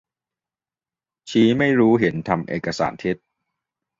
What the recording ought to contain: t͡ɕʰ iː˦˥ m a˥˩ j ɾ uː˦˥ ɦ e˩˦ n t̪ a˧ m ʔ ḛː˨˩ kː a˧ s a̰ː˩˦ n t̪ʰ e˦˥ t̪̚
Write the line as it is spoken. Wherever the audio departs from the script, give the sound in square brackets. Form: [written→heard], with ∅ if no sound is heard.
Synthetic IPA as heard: t͡ɕʰ iː˦˥ m a˥˩ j ɾ uː˦˥ ɦ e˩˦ n [t̪→t̪ʰ] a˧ m ʔ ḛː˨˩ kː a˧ s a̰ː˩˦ n t̪ʰ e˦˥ t̪̚